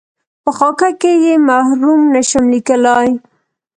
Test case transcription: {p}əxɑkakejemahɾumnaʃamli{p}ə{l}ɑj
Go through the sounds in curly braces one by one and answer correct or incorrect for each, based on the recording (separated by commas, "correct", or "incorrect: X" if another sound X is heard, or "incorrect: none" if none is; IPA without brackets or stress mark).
correct, incorrect: k, correct